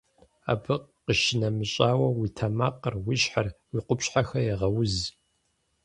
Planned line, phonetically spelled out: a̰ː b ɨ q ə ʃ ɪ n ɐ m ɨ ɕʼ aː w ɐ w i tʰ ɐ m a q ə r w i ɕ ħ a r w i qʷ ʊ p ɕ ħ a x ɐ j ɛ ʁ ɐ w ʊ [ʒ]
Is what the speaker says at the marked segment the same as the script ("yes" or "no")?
no